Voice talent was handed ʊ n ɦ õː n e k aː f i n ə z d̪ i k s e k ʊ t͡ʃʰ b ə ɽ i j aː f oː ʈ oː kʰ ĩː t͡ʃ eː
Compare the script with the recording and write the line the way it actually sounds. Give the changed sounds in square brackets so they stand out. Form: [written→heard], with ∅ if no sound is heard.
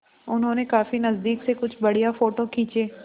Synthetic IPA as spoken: ʊ n ɦ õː n e k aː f i n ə z d̪ [i→iː] k s e k ʊ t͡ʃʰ b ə ɽ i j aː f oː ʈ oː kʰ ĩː t͡ʃ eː